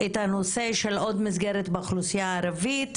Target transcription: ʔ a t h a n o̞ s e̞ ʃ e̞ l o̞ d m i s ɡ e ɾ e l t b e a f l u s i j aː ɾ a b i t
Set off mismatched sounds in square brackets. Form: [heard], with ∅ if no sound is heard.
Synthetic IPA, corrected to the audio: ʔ [e] t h a n o̞ s e̞ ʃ e̞ l o̞ d m i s ɡ e ɾ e [∅] t b e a [χ] l u s i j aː ɾ a [v] i t